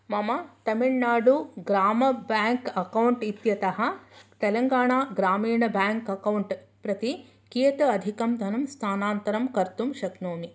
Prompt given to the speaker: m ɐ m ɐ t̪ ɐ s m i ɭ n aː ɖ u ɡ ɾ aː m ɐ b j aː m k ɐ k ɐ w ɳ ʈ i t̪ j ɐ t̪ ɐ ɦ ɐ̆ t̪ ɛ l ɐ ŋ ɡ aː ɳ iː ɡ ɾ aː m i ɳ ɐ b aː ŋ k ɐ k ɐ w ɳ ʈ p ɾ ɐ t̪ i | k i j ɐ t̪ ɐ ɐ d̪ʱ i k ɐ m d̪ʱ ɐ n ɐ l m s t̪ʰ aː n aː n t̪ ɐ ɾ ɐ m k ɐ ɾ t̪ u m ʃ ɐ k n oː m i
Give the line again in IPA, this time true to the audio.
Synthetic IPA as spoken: m ɐ m ɐ t̪ ɐ m i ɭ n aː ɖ u ɡ ɾ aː m ɐ b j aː ŋ k ɐ k ɐ w ɳ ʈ i t̪ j ɐ t̪ ɐ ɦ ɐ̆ t̪ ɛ l ɐ ŋ ɡ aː ɳ aː ɡ ɾ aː m iː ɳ ɐ b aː ŋ k ɐ k ɐ w ɳ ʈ p ɾ ɐ t̪ i | k i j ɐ t̪ ɐ ɐ d̪ʱ i k ɐ m d̪ʱ ɐ n ɐ m s t̪ʰ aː n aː n t̪ ɐ ɾ ɐ m k ɐ ɾ t̪ u m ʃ ɐ k n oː m i